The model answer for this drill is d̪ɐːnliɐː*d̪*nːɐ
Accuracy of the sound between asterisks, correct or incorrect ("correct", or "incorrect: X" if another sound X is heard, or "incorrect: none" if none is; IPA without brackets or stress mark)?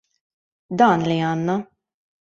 incorrect: none